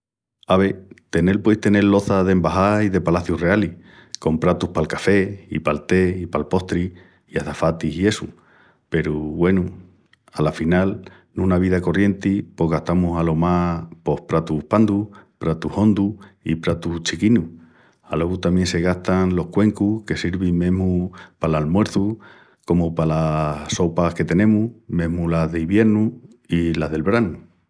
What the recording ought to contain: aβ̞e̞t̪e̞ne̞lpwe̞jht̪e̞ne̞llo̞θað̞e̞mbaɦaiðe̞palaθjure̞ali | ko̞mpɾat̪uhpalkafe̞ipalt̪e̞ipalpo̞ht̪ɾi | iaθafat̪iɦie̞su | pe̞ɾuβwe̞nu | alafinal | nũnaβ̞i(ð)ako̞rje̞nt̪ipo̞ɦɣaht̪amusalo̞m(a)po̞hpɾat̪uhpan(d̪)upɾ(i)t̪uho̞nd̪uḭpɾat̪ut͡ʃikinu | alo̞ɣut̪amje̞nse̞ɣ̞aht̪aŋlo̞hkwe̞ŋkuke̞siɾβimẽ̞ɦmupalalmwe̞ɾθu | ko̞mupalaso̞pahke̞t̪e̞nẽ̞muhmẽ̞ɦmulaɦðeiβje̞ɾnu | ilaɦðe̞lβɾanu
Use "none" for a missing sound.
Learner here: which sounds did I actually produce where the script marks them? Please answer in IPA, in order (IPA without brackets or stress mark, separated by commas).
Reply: ð, a, d̪, a